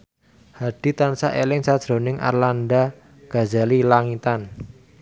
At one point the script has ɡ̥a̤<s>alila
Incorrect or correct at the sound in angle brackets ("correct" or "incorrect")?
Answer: incorrect